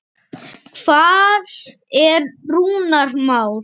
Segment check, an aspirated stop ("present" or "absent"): present